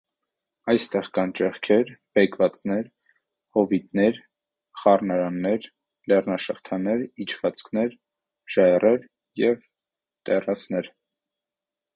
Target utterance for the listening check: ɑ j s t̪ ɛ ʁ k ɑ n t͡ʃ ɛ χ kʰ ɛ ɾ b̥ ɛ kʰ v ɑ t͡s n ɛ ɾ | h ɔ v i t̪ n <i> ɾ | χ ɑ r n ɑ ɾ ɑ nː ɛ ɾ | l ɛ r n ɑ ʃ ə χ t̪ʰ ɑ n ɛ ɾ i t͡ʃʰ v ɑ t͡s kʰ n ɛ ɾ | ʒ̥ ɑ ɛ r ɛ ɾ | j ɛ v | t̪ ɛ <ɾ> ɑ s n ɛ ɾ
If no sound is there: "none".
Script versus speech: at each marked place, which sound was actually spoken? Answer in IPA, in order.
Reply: ɛ, r

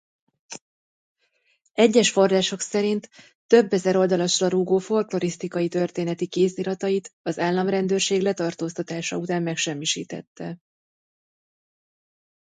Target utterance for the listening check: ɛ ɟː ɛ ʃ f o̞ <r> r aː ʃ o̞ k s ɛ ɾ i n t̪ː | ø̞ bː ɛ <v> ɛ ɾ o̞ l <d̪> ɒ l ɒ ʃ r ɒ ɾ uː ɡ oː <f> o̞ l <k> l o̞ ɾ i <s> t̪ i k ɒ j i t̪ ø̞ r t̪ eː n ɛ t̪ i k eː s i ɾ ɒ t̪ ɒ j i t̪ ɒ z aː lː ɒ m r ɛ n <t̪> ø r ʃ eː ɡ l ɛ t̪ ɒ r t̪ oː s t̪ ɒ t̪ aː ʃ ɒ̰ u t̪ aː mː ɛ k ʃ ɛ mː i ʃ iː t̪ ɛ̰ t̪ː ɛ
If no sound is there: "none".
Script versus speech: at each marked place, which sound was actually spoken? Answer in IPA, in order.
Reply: r, z, d̪, f, k, s, d̪

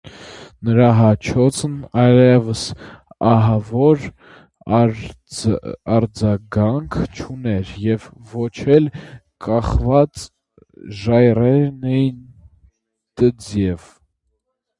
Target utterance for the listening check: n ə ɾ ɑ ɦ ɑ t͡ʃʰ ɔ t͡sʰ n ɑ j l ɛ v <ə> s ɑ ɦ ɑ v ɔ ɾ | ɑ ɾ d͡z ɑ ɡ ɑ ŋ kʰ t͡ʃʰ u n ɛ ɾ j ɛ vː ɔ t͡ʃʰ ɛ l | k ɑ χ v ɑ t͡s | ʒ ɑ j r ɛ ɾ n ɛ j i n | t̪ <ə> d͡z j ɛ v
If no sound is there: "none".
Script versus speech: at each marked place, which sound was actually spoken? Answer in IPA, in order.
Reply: ə, ə

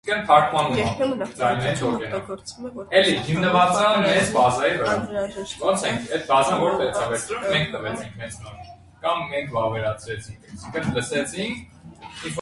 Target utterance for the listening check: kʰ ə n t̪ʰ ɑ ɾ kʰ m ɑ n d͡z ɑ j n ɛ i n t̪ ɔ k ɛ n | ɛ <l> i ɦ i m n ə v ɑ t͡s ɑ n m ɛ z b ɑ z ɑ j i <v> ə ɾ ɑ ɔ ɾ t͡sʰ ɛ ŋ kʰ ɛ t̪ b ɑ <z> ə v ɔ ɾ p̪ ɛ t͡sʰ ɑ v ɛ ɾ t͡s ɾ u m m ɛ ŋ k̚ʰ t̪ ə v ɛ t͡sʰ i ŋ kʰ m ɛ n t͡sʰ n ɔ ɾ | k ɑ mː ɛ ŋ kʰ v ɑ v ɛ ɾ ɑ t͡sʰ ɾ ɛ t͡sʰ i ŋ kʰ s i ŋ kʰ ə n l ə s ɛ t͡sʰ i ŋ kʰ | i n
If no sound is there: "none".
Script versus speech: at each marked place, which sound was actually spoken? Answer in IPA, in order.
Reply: l, v, z

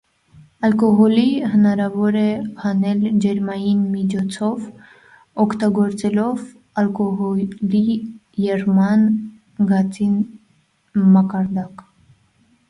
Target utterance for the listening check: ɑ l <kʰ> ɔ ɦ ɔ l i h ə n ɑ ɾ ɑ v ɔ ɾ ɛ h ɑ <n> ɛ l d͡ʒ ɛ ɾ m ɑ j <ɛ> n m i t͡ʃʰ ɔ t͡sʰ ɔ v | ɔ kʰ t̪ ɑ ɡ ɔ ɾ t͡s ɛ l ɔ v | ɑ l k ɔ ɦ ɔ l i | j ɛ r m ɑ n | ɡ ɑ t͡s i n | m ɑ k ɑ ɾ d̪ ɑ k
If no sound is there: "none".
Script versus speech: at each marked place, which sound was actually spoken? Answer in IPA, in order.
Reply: k, n, i

